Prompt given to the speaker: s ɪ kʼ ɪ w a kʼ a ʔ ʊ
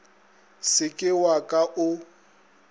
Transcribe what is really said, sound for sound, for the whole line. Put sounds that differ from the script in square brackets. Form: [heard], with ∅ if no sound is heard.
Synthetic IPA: s ɪ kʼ ɪ w a kʼ a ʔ ʊ